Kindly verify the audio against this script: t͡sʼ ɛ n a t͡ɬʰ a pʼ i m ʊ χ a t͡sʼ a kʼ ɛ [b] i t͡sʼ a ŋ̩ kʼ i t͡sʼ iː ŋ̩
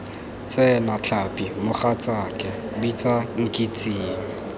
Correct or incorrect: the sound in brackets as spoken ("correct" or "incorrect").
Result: correct